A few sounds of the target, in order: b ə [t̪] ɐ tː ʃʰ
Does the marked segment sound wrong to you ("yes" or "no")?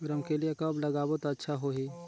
no